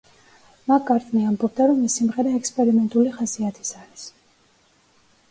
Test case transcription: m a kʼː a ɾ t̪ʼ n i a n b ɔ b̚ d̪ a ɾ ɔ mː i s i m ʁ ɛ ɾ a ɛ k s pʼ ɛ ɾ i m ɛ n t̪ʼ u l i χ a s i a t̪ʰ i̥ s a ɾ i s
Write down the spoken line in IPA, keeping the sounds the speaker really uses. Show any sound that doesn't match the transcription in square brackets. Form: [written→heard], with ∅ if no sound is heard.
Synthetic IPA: m a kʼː a ɾ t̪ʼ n i a [n→m] b ɔ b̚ d̪ a ɾ ɔ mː i s i m ʁ ɛ ɾ a ɛ k s pʼ ɛ ɾ i m ɛ n t̪ʼ u l i χ a s i a t̪ʰ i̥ s a ɾ i s